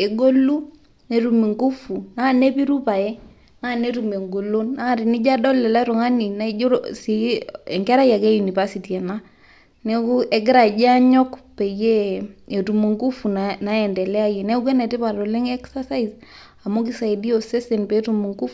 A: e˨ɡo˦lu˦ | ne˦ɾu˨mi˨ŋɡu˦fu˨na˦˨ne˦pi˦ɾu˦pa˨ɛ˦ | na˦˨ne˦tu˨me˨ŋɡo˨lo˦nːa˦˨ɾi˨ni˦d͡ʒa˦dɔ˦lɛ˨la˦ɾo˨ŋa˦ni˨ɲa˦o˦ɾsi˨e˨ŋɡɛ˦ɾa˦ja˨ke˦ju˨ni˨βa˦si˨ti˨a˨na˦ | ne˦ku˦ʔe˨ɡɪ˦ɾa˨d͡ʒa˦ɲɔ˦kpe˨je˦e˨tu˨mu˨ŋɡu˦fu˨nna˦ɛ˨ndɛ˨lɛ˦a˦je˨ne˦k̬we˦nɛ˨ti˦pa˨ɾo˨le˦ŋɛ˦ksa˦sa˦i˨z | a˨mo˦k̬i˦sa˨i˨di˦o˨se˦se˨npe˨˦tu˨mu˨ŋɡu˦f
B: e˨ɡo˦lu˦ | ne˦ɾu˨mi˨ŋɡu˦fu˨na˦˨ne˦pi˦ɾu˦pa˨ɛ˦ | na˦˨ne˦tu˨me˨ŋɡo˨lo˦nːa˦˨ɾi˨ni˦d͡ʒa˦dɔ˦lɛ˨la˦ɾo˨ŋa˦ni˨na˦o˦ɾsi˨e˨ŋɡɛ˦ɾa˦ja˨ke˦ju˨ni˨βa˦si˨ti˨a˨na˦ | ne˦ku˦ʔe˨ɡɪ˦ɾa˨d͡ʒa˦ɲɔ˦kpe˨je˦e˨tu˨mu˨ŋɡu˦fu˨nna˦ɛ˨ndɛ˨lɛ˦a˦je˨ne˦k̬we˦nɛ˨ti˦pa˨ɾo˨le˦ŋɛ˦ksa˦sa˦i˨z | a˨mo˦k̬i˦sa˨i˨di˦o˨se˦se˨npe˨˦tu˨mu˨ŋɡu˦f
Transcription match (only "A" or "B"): B